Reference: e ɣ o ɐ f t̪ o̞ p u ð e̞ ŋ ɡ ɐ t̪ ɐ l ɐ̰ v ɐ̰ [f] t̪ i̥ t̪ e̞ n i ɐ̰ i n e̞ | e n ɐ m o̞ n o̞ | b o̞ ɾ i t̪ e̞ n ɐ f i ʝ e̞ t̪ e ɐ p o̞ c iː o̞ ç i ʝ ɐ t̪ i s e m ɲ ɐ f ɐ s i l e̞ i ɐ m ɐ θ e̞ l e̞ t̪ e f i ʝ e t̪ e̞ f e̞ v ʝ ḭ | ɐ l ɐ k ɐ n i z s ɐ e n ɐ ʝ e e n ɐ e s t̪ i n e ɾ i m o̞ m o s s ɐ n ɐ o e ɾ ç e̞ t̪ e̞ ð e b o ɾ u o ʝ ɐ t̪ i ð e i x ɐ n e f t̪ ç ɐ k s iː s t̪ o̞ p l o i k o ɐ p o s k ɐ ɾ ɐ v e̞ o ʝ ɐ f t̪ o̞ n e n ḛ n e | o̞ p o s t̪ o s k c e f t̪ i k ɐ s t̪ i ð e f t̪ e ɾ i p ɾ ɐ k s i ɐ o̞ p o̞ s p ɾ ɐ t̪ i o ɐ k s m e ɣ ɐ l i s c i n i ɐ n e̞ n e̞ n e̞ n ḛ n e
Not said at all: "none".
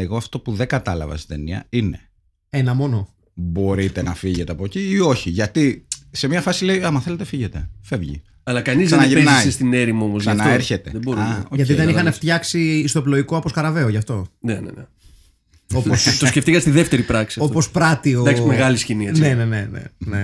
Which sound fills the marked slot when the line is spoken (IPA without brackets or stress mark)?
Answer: s